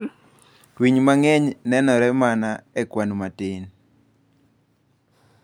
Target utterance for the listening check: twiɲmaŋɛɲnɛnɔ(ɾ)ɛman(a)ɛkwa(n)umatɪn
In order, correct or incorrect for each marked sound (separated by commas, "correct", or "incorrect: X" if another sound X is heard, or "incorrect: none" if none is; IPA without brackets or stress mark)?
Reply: correct, correct, correct